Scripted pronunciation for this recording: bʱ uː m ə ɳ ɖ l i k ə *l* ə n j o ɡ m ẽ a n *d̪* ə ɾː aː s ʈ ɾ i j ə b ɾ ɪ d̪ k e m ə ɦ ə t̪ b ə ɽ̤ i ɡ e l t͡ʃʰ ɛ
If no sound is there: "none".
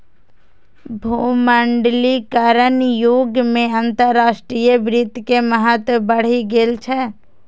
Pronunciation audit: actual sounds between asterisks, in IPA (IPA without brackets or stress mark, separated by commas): ɾ, t̪